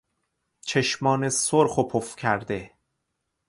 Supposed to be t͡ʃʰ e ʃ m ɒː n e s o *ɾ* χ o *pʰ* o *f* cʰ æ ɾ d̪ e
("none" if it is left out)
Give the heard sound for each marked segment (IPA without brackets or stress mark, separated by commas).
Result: ɾ, pʰ, f